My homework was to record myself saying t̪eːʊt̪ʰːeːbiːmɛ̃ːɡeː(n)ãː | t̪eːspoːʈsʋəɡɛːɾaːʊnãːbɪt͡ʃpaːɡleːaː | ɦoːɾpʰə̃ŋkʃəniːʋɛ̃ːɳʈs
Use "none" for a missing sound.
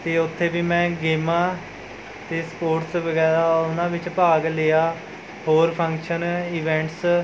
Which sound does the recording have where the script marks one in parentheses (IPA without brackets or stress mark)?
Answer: m